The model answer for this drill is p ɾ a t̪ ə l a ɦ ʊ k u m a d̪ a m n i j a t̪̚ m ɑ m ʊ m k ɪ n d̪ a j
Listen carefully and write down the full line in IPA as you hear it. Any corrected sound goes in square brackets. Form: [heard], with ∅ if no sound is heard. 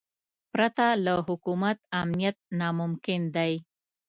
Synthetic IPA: p ɾ a t̪ [a] l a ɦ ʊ k u m a [t̪] a m n i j a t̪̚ [n] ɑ m ʊ m k ɪ n d̪ a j